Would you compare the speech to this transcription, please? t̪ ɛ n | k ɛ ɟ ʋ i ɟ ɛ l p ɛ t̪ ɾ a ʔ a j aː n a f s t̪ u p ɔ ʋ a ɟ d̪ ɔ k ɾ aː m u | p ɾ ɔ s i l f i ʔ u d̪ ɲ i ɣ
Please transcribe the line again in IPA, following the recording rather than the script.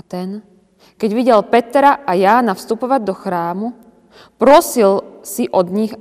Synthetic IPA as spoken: t̪ ɛ n | k ɛ ɟ ʋ i ɟ ɛ l p ɛ t̪ ɾ a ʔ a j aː n a f s t̪ u p ɔ ʋ a ɟ d̪ ɔ x ɾ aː m u | p ɾ ɔ s i l s i ʔ ɔ d̪ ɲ i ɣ